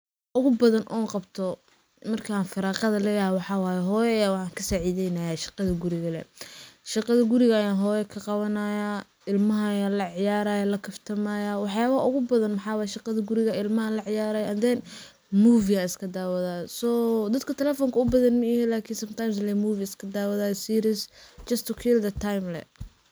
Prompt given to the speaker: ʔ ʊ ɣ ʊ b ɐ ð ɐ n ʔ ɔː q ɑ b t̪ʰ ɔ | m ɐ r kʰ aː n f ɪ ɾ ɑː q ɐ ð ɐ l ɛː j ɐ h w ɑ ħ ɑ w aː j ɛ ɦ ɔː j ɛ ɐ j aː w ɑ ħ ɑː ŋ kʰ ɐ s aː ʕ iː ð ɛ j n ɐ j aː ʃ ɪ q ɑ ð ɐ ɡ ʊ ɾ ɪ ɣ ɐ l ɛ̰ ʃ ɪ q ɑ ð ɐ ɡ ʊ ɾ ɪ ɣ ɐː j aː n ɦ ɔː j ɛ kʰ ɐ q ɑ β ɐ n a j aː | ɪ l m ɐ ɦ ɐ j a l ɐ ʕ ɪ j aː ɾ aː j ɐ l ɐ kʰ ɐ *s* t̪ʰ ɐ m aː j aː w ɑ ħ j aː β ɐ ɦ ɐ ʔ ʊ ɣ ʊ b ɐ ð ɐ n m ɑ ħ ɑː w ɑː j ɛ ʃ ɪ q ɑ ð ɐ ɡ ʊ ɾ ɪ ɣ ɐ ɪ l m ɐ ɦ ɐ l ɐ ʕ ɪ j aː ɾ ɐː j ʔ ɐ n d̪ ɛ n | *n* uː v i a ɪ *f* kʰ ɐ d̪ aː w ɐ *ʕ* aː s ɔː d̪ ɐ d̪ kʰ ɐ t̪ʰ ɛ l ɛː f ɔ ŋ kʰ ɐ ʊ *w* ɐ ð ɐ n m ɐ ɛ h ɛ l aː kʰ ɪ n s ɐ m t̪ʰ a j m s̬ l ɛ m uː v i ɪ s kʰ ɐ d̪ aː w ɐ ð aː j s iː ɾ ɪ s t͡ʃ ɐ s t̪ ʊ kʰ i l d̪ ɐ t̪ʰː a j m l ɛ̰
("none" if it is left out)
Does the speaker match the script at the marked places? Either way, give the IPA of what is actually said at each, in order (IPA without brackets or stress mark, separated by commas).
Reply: f, m, s, ð, b